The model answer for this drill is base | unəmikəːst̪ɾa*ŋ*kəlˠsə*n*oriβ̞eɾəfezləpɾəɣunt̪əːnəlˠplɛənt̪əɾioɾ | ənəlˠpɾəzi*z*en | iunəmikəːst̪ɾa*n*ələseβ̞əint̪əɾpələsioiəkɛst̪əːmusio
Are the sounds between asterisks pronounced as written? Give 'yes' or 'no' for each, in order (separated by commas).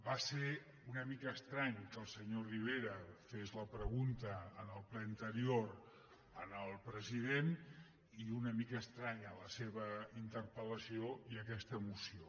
no, no, no, no